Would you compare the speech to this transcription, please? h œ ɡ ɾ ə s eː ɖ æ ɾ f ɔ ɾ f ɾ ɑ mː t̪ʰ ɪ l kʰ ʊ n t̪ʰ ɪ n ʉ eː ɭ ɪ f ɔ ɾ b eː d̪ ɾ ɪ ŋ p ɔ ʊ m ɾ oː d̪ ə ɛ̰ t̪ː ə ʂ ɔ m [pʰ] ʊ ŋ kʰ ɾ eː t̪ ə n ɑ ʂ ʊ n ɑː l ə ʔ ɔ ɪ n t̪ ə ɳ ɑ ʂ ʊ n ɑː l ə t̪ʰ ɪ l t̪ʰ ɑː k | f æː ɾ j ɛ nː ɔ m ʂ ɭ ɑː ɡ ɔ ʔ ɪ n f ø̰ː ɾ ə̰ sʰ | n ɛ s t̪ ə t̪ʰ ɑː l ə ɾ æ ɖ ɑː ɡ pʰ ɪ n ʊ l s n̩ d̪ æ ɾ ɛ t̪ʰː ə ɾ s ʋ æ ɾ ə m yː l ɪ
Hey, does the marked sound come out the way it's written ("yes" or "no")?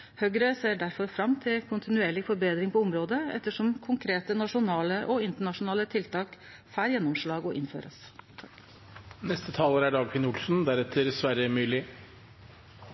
no